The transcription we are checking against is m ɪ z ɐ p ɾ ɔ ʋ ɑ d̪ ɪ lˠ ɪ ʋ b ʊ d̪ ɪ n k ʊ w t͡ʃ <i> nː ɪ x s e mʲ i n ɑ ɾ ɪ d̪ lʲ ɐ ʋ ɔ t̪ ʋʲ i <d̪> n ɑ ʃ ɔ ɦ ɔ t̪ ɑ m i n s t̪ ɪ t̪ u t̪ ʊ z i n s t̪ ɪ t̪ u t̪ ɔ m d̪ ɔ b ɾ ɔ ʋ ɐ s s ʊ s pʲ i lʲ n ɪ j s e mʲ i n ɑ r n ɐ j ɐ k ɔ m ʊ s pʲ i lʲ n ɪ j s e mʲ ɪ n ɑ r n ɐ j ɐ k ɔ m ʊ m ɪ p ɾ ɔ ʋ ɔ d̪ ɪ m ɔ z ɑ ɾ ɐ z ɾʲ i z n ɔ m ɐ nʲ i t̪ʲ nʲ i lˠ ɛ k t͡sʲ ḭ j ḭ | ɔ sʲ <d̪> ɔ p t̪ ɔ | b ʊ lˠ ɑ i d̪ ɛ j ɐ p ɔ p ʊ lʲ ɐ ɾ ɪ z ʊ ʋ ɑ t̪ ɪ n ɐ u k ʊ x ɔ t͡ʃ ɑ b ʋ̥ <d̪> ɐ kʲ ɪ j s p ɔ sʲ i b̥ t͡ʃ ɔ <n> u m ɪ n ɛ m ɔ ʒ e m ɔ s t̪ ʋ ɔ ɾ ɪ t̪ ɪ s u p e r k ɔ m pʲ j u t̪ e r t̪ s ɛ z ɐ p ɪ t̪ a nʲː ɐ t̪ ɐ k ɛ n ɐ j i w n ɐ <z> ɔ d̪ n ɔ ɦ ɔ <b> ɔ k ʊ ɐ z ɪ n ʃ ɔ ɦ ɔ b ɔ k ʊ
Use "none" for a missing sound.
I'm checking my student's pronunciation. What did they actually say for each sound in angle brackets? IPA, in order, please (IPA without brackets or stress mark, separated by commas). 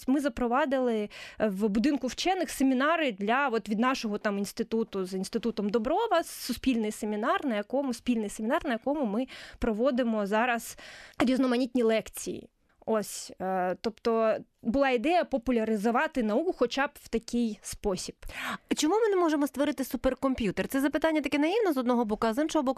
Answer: ɛ, d̪, t̪, t̪, m, z, b